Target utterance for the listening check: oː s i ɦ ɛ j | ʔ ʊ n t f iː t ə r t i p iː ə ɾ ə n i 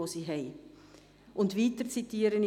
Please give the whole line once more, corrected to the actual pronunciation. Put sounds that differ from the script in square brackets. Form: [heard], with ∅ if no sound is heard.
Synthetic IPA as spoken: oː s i ɦ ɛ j | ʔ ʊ n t [v] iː t ə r [t͡s] i [t] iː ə ɾ ə n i